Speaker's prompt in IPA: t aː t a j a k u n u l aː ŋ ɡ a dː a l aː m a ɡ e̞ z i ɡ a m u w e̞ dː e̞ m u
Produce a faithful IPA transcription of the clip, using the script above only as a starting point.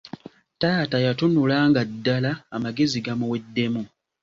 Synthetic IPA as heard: t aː t a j a t u n u l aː ŋ ɡ a dː a l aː m a ɡ e̞ z i ɡ a m u w e̞ dː e̞ m u